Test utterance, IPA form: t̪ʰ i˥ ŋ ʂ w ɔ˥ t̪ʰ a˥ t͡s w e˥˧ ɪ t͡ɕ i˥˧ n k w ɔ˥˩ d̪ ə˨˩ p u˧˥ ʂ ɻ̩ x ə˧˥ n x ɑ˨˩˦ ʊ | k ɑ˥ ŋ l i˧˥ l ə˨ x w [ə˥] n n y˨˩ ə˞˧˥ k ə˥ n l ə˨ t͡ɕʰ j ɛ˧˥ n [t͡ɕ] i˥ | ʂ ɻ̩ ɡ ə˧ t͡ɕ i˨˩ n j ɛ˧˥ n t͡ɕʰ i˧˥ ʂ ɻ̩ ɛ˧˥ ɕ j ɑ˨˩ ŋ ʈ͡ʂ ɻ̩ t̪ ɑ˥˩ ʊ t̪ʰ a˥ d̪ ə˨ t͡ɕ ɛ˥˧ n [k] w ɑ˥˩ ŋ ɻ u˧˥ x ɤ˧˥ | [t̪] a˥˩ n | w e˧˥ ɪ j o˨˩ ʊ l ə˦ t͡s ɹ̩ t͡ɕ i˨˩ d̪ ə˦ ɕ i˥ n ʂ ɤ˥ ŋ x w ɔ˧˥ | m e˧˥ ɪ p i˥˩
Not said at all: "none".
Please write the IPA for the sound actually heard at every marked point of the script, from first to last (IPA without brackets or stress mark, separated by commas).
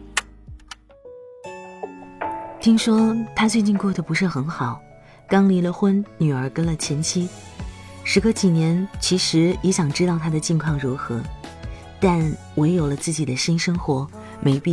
ə˥, t͡ɕʰ, kʰ, t̪